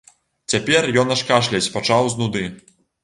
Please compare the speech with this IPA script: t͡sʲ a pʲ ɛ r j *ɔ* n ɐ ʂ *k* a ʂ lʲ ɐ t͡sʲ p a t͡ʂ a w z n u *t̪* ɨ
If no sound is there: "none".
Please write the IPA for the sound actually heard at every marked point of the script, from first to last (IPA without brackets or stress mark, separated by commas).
ɔ, k, d̪